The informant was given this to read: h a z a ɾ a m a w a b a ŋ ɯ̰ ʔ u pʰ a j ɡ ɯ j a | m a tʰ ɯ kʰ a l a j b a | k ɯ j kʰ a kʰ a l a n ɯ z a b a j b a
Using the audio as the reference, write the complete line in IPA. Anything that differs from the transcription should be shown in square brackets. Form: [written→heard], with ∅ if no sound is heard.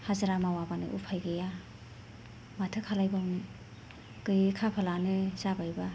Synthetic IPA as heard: h a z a ɾ a m a w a b a [ŋ→n] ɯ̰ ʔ u pʰ a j ɡ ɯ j a | m a tʰ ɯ kʰ a l a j b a | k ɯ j kʰ a [kʰ→pʰ] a l a n ɯ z a b a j b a